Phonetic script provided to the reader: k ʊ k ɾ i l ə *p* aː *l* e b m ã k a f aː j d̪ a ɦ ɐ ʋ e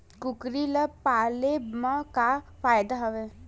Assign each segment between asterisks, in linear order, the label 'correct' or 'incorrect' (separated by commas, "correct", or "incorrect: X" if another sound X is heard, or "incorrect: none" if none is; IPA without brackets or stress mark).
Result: correct, correct